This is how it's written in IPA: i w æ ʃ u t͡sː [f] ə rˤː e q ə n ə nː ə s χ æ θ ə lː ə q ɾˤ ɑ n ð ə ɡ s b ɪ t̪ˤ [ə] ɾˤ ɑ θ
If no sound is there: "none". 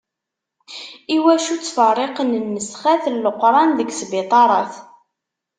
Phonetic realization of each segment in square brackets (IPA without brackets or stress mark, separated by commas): f, ɑ